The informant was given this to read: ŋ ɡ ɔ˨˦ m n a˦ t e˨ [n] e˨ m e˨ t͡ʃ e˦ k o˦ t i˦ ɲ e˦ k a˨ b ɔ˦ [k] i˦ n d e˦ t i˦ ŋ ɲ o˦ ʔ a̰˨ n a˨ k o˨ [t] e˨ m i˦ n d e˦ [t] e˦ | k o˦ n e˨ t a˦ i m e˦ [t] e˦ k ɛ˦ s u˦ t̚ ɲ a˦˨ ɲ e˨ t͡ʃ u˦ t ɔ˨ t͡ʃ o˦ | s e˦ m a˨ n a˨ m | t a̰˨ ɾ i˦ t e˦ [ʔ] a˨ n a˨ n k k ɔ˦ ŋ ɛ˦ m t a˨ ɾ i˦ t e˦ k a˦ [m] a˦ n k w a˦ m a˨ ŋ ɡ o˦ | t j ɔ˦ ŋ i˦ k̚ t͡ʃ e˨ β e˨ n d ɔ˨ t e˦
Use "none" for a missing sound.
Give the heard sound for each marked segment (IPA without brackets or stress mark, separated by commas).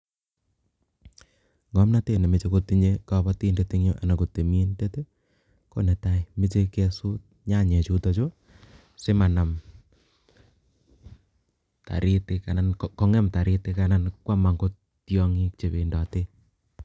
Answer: n, t, t, t, t͡ʃ, k, n